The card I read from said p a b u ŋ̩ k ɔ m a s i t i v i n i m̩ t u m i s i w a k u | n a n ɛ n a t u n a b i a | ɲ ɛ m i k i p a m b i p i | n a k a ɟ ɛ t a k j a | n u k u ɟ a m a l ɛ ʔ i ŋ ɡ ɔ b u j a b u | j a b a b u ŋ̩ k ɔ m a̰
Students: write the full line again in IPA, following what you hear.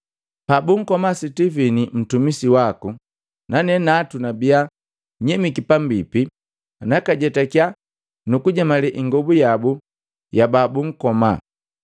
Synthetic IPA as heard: p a b u ŋ̩ k ɔ m a s i t i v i n i m̩ t u m i s i w a k u | n a n ɛ n a t u n a b i a | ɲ ɛ m i k i p a m b i p i | n a k a ɟ ɛ t a k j a | n u k u ɟ a m a l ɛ ʔ i ŋ ɡ ɔ b u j a b u | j a b a b u ŋ̩ k ɔ m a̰